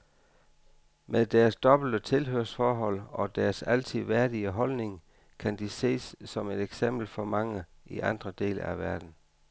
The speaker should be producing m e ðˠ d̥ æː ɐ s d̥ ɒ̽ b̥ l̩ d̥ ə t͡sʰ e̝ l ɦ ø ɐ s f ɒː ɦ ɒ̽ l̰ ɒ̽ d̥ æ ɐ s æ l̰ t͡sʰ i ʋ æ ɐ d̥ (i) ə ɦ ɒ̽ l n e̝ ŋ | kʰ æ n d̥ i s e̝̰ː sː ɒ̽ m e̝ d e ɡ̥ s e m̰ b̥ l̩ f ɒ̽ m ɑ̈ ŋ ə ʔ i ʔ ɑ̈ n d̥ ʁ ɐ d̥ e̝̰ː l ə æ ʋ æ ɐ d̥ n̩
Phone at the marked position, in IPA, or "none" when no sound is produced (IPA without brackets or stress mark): i